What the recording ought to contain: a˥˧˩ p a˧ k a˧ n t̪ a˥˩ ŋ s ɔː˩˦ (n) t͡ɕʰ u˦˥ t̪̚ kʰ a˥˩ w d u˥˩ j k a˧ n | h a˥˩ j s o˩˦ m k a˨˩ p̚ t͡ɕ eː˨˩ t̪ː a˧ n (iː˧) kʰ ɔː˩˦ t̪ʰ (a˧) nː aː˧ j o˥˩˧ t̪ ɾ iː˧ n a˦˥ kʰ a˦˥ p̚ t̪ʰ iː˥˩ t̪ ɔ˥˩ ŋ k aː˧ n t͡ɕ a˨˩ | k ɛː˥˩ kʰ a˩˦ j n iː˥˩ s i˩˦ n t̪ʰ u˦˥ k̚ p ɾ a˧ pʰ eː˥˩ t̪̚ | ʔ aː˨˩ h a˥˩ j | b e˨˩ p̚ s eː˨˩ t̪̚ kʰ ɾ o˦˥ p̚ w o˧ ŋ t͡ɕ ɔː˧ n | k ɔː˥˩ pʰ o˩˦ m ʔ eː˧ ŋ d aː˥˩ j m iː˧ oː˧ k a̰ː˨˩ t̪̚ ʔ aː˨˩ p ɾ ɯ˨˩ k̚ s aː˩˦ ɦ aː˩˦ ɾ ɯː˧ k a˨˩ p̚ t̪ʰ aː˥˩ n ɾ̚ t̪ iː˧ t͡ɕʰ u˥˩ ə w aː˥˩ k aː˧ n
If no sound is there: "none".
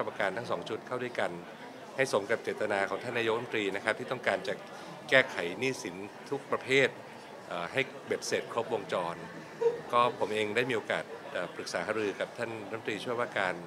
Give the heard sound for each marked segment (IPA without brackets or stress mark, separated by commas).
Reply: ŋ, aː˧, a˥˩